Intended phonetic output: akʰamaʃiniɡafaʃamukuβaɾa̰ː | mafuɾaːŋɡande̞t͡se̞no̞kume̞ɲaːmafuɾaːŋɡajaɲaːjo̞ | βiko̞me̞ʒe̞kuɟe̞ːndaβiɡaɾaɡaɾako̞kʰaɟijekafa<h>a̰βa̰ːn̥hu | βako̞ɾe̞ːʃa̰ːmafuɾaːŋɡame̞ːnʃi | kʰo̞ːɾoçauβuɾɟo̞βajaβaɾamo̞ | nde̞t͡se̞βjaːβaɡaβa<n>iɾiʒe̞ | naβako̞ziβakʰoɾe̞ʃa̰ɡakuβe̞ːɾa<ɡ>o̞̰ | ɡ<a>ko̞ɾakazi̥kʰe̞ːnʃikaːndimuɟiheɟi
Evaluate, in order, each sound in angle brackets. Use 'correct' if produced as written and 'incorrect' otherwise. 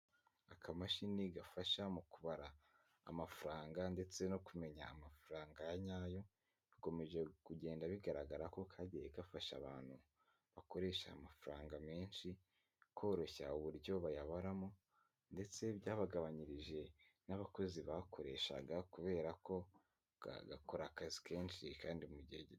incorrect: ʃ, incorrect: ɲ, incorrect: k, correct

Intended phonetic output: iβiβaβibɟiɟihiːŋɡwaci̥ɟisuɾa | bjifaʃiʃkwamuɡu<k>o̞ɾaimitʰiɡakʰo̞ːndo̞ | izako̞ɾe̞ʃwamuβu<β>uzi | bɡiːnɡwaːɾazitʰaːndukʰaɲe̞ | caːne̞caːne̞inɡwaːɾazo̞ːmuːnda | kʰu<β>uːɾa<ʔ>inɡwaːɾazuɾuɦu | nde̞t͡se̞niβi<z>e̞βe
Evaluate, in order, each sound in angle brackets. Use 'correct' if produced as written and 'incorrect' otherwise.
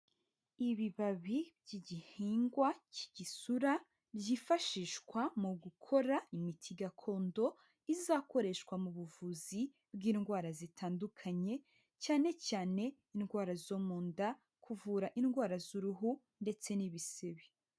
incorrect: kʰ, incorrect: v, incorrect: v, correct, incorrect: s

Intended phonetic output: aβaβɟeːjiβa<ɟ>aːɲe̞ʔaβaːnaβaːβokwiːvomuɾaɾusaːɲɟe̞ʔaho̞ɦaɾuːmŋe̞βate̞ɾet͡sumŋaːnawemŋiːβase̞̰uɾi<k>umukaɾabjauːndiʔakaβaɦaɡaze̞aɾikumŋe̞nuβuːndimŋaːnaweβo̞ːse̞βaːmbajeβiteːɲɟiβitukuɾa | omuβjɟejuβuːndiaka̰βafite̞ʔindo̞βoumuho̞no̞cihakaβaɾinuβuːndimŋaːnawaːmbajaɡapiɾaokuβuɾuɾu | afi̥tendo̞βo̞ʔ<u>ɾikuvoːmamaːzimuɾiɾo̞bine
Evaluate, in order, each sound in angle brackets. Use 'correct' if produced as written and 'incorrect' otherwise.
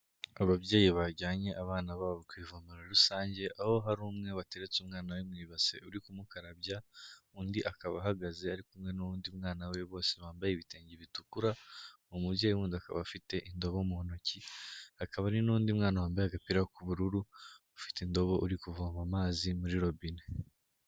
correct, correct, correct

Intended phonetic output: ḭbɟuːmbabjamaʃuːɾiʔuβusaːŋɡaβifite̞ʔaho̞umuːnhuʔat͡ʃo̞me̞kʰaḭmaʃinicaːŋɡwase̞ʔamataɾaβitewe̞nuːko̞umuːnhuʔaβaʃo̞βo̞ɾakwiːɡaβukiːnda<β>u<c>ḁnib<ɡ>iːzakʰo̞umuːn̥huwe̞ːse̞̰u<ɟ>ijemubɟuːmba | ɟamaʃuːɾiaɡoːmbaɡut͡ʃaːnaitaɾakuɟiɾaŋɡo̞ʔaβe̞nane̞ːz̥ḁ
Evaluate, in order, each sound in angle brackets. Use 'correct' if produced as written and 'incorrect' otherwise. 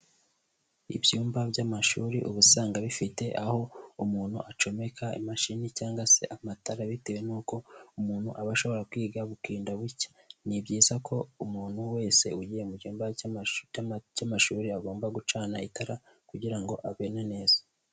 correct, correct, incorrect: ɟ, correct

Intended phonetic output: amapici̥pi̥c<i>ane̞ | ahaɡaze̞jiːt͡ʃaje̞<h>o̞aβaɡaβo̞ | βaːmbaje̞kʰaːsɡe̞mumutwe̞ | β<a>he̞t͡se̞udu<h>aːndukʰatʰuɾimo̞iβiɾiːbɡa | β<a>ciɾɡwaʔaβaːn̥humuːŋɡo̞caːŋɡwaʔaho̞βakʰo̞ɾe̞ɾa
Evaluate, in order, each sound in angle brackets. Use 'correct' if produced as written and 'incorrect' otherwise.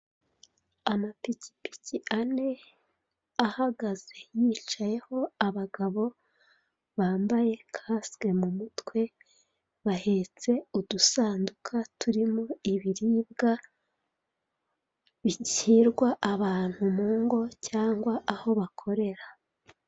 correct, correct, correct, incorrect: s, incorrect: i

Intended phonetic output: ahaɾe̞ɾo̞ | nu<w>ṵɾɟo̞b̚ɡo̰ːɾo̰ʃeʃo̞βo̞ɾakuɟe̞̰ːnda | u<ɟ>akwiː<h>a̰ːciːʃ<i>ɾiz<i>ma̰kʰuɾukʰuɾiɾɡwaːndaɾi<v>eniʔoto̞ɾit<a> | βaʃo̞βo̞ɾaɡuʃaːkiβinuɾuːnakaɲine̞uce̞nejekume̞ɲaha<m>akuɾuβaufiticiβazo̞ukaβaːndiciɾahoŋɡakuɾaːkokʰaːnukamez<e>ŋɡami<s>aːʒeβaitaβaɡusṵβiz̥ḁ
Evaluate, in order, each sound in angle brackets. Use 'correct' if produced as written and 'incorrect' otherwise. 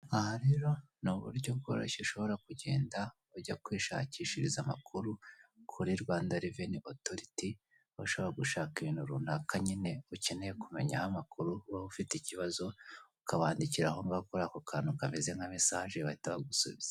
incorrect: β, correct, incorrect: ʃ, correct, incorrect: a, correct, incorrect: i, correct, correct, correct

